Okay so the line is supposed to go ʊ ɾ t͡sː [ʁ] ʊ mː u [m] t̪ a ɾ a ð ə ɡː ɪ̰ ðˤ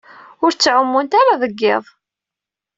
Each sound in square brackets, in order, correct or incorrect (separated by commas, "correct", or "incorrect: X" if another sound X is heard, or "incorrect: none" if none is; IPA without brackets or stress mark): incorrect: ʕ, incorrect: n